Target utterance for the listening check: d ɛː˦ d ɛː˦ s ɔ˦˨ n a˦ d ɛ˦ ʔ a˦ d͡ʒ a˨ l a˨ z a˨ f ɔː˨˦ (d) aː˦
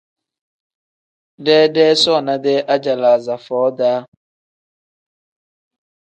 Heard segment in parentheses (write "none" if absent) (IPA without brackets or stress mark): d